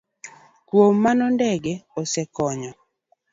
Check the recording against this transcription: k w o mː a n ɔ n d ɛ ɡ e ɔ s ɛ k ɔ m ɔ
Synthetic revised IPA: k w o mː a n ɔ n d ɛ ɡ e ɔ s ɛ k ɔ ɲ ɔ